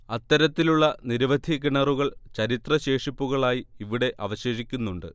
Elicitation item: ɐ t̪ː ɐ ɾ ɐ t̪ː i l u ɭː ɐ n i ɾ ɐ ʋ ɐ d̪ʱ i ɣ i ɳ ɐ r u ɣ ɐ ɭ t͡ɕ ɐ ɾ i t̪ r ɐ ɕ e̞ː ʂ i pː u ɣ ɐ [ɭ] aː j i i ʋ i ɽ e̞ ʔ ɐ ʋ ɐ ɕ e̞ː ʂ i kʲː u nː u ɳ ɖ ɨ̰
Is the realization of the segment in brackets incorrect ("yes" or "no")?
no